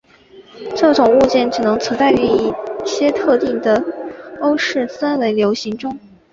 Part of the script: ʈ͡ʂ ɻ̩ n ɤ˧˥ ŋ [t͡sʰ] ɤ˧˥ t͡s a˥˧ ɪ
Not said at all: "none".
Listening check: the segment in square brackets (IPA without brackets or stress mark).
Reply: t͡sʰ